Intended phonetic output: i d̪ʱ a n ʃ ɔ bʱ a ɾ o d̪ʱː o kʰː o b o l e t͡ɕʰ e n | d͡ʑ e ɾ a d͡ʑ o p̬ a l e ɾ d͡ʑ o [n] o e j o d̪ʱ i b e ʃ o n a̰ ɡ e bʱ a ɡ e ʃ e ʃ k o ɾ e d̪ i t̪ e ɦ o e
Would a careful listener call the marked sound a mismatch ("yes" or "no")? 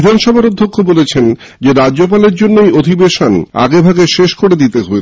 yes